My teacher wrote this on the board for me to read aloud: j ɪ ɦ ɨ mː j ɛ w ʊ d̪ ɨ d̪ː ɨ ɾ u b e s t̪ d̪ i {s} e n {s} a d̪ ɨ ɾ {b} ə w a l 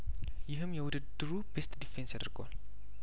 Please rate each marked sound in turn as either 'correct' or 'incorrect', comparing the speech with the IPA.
incorrect: f, correct, incorrect: ɡ

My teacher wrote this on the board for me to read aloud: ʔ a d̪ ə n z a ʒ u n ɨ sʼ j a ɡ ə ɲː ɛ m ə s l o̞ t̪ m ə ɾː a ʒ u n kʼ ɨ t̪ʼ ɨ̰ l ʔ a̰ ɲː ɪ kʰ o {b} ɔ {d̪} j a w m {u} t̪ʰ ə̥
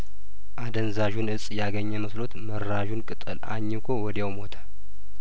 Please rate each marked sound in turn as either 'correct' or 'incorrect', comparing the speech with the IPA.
incorrect: w, correct, incorrect: o

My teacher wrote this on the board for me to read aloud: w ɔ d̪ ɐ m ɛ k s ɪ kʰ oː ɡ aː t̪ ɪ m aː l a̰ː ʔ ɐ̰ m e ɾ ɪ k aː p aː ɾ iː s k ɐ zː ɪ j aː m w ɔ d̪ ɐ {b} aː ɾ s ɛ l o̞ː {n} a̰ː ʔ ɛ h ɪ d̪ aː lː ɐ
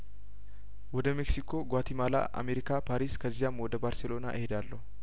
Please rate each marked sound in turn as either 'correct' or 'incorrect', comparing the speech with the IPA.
correct, correct

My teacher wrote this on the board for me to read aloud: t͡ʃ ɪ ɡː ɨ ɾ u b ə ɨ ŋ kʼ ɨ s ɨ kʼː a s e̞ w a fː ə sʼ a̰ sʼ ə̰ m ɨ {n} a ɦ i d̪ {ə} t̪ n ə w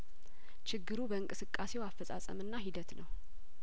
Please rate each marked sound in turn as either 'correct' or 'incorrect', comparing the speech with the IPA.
incorrect: nː, correct

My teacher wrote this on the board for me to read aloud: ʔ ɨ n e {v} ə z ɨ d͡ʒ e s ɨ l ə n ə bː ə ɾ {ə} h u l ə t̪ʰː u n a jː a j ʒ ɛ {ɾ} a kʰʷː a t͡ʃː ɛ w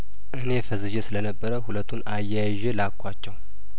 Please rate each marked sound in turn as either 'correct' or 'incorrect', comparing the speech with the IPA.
incorrect: f, correct, incorrect: l

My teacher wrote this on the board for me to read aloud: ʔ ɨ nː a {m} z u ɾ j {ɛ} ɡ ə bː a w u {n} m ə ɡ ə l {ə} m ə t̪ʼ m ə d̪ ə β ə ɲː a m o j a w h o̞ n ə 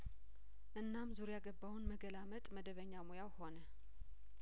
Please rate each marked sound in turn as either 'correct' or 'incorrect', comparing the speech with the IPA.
correct, incorrect: a, correct, incorrect: a

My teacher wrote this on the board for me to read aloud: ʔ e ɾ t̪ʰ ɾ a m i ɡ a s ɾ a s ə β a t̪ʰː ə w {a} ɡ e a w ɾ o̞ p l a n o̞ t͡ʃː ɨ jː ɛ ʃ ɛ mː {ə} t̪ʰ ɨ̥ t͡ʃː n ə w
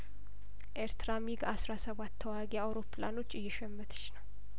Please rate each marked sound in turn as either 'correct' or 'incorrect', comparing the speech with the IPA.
correct, correct

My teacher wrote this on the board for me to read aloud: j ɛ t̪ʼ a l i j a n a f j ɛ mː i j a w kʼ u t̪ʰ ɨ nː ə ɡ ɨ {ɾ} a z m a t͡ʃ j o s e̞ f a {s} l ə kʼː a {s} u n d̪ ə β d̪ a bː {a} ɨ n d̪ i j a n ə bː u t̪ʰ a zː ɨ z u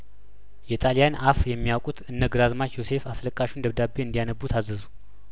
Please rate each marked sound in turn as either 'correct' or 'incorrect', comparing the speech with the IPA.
correct, correct, incorrect: ʃ, incorrect: e

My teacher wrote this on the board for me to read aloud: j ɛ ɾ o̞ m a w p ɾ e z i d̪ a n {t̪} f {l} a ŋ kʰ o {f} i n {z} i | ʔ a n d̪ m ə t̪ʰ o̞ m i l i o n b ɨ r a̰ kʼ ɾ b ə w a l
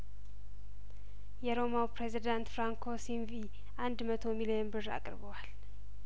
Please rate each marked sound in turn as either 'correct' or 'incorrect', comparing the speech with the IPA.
correct, incorrect: ɾ, incorrect: s, incorrect: v

